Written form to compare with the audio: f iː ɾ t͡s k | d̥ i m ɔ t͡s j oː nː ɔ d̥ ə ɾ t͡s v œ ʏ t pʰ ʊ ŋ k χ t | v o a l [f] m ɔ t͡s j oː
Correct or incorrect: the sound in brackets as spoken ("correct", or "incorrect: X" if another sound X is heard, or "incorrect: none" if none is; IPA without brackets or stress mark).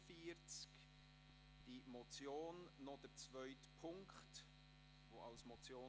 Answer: incorrect: s